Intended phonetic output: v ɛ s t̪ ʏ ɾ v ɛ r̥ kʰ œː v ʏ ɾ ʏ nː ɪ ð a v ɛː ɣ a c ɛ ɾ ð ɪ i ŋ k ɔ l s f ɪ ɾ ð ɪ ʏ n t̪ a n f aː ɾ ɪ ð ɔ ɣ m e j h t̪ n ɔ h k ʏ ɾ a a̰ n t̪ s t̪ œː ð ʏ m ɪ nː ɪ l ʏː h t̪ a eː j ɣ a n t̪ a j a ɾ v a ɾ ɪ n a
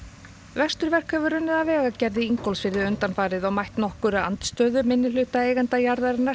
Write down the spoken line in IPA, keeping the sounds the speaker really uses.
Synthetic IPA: v ɛ s t̪ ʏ ɾ v ɛ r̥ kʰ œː v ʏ ɾ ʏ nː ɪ ð a v ɛː ɣ a c ɛ ɾ ð ɪ i ŋ k ɔ l s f ɪ ɾ ð ɪ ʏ n t̪ a n f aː ɾ ɪ ð ɔ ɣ m a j h t̪ n ɔ h k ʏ ɾ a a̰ n t̪ s t̪ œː ð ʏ m ɪ nː ɪ l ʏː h t̪ a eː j ɣ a n t̪ a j a ɾ ð a ɾ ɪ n a